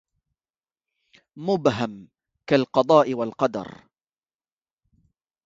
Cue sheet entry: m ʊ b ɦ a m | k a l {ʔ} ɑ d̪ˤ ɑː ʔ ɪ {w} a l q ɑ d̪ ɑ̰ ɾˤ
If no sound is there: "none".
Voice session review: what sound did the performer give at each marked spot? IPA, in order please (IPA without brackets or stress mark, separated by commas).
q, w